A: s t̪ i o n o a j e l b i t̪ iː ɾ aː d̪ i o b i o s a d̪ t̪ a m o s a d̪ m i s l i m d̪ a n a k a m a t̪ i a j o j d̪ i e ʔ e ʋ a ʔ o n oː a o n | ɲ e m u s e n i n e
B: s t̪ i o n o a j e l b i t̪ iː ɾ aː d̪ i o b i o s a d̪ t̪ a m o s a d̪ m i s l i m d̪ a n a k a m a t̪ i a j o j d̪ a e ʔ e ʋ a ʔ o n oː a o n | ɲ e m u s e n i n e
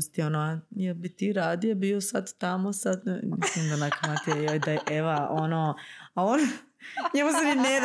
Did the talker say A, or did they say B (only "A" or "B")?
B